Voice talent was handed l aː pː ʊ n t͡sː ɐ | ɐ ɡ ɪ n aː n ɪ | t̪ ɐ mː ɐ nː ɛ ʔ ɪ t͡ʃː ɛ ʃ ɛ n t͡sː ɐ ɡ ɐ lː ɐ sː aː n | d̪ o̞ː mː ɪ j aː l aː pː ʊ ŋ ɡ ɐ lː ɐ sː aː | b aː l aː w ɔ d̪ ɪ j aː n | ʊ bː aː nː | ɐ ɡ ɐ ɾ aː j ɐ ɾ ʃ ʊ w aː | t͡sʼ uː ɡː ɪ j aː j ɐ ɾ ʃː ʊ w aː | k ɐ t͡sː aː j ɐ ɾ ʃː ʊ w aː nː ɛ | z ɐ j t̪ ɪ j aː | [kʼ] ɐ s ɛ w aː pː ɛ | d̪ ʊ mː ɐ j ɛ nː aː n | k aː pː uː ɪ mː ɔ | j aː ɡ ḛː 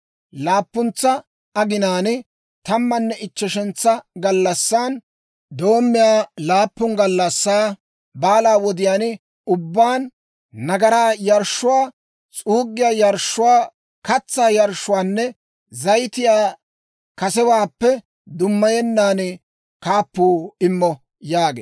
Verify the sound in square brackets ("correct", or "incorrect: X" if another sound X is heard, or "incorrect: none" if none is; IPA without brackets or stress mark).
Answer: incorrect: k